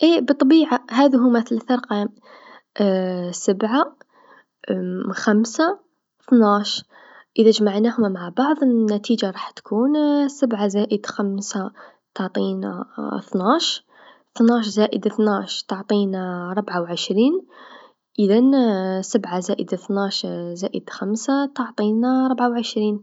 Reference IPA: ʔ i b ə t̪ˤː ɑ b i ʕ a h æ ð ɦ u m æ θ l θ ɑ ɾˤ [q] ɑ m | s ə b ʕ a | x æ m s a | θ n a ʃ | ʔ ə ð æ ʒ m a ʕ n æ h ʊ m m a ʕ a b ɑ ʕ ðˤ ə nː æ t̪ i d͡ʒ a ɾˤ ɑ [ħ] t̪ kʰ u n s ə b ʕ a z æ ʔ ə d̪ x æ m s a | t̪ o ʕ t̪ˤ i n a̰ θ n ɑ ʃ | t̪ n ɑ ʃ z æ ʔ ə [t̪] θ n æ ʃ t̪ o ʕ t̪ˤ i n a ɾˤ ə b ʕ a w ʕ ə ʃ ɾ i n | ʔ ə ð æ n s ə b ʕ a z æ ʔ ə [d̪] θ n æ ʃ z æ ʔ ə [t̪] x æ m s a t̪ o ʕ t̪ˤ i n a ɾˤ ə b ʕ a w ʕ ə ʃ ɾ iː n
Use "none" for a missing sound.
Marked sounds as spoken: q, ħ, d̪, d̪, d̪

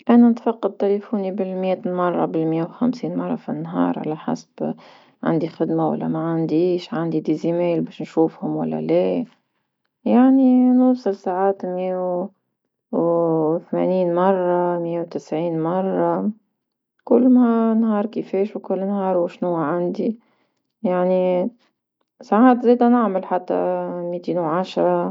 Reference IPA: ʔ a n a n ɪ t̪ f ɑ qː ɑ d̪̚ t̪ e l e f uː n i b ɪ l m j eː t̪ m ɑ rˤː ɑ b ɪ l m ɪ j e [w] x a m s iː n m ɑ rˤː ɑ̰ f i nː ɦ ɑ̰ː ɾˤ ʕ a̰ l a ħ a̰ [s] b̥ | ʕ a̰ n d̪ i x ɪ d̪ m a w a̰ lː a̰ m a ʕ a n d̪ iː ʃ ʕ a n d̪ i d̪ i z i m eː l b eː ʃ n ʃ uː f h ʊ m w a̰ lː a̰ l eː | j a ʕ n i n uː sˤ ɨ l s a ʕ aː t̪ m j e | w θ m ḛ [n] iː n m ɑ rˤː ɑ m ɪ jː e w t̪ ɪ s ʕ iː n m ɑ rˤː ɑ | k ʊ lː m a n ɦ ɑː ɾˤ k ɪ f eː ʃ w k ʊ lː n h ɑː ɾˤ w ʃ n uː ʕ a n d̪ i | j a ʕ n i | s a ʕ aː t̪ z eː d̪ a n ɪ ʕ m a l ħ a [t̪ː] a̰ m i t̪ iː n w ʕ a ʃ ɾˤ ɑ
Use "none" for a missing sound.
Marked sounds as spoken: w, s, n, t̪ː

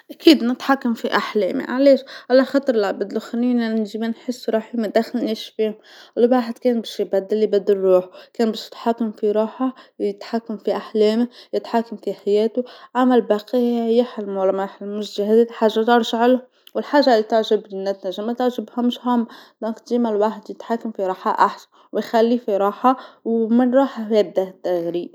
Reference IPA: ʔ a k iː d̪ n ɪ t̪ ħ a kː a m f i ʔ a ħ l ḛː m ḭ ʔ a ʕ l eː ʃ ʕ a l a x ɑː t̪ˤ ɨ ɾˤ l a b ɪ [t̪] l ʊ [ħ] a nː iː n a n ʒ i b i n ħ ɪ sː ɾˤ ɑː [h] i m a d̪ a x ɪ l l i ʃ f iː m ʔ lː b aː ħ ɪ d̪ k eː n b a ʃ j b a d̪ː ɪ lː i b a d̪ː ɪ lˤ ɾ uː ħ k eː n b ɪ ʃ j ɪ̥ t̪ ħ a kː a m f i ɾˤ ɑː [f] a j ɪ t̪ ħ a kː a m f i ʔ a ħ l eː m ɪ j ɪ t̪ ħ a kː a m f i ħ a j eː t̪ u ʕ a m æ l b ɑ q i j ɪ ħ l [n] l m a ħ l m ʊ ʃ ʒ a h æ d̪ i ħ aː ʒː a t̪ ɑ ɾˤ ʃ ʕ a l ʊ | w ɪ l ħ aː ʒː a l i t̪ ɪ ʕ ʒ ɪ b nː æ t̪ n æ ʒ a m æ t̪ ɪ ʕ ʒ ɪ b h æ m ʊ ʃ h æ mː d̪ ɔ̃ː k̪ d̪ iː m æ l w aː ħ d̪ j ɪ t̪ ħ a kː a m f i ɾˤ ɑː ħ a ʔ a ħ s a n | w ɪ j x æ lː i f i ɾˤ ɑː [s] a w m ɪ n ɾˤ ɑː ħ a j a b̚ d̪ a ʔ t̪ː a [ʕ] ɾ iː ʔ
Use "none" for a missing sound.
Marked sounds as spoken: d̪, x, ħ, ħ, m, ħ, ɣ

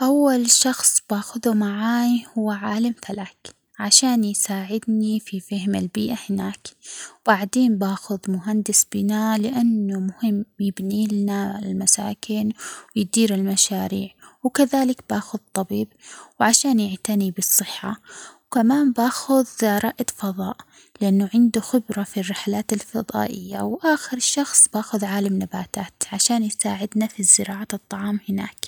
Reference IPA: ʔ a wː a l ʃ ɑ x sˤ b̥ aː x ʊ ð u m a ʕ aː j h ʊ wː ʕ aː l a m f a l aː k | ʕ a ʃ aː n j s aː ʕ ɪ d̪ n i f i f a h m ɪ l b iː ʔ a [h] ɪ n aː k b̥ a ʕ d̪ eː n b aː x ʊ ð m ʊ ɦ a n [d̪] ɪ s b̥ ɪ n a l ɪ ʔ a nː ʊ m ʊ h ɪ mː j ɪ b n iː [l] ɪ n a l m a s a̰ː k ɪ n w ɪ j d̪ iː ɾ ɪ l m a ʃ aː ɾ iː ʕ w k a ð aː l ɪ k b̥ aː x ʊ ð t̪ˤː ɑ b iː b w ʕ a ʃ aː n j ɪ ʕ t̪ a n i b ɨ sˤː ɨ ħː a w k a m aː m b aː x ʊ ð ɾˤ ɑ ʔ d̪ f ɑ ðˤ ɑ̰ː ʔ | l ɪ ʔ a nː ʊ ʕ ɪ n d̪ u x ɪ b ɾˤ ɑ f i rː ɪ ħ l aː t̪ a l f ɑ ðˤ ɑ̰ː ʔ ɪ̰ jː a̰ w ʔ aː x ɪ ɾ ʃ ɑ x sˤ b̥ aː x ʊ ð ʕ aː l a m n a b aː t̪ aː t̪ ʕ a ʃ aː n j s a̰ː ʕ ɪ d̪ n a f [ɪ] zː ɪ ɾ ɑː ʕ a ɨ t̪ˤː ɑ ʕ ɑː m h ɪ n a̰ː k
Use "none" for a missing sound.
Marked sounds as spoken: h, d̪, l, i

